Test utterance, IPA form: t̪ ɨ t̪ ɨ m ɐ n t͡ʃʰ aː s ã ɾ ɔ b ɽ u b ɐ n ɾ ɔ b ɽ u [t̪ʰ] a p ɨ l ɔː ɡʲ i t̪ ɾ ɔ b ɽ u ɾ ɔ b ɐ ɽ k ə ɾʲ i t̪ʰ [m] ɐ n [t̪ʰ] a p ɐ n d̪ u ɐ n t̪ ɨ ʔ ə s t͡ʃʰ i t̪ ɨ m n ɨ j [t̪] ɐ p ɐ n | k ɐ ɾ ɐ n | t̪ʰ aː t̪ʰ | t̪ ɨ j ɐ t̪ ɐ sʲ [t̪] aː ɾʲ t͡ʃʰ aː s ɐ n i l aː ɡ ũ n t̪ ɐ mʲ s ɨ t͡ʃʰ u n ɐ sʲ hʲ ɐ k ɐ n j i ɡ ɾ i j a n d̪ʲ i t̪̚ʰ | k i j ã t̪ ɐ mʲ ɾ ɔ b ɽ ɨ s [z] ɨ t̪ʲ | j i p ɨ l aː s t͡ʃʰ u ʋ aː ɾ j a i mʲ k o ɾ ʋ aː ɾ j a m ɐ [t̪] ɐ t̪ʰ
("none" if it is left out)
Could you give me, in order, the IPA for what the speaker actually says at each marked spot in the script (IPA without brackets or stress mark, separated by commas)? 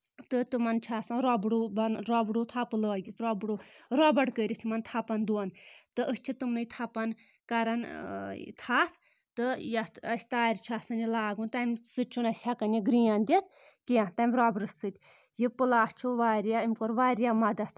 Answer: t̪ʰ, m, t̪ʰ, t̪ʰ, t̪, s, d̪